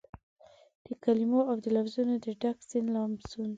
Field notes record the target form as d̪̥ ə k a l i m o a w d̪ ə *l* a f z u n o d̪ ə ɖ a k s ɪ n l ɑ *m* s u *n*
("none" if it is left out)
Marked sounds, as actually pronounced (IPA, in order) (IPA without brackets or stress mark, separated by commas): l, m, n